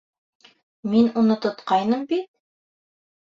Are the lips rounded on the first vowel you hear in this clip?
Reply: no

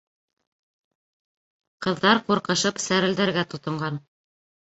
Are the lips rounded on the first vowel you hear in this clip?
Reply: no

